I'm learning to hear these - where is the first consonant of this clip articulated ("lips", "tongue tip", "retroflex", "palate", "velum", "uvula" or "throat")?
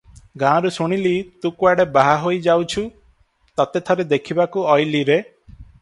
velum